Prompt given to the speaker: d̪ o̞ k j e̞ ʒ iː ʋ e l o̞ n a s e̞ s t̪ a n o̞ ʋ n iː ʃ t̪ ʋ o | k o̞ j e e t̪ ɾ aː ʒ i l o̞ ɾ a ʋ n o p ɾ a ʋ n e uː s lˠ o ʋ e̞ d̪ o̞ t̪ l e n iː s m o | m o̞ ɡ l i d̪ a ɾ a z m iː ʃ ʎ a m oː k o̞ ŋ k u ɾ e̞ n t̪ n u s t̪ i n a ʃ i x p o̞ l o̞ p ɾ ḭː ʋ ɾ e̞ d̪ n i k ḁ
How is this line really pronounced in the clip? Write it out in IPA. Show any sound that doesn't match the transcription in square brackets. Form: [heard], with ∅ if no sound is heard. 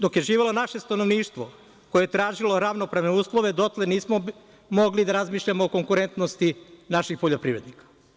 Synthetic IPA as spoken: d̪ o̞ k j e̞ ʒ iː ʋ e l o̞ n a [ʃ] e̞ s t̪ a n o̞ ʋ n iː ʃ t̪ ʋ o | k o̞ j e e t̪ ɾ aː ʒ i l o̞ ɾ a ʋ n o p ɾ a ʋ n e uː s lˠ o ʋ e̞ d̪ o̞ t̪ l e n iː s m o | m o̞ ɡ l i d̪ a ɾ a z m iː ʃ ʎ a m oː k o̞ ŋ k u ɾ e̞ n t̪ n [o] s t̪ i n a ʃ i x p o̞ [ʎ] o̞ p ɾ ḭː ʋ ɾ e̞ d̪ n i k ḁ